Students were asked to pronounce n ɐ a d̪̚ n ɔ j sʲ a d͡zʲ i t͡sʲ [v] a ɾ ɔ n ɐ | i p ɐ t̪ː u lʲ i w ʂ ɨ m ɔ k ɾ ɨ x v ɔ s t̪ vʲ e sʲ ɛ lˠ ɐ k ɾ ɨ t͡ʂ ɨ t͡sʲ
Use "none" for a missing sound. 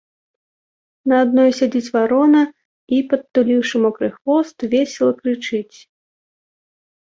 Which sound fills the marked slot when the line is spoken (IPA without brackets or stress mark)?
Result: v